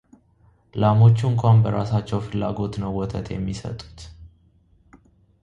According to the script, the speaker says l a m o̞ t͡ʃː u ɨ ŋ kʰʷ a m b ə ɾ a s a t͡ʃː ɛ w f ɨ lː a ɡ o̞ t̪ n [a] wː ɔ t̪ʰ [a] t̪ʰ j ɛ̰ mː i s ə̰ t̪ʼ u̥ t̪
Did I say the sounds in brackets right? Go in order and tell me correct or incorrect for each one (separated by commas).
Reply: incorrect, incorrect